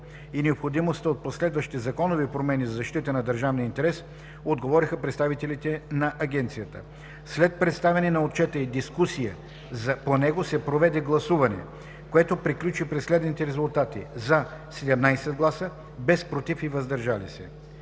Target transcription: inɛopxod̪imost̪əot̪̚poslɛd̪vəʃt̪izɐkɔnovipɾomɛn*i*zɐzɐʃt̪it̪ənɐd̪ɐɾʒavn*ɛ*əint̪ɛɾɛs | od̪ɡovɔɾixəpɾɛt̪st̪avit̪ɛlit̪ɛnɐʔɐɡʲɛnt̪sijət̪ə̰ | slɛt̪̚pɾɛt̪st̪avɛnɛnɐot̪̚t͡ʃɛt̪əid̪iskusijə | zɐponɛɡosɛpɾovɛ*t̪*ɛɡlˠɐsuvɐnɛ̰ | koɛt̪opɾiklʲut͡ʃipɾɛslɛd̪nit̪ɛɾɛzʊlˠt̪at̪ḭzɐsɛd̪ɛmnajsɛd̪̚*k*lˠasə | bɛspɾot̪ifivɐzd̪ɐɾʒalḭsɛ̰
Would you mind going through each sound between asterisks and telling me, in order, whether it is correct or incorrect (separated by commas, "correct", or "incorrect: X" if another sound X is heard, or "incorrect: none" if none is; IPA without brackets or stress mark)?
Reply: correct, incorrect: i, incorrect: d̪, incorrect: ɡ